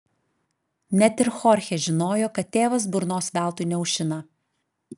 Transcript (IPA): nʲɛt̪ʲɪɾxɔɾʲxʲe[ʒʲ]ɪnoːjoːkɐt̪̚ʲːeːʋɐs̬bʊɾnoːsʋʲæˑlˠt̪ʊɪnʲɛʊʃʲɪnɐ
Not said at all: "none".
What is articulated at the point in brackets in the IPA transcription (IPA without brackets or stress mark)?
ʒʲ